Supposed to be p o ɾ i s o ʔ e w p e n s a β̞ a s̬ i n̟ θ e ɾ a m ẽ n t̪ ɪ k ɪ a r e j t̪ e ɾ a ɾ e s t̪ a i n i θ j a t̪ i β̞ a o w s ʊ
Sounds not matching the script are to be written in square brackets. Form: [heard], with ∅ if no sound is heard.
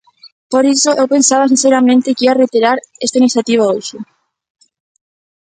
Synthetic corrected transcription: p o ɾ i s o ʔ e w p e n s a β̞ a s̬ i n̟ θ e ɾ a m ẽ n t̪ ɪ k [i] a r e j t̪ e ɾ a ɾ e s t̪ a i n i θ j a t̪ i β̞ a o w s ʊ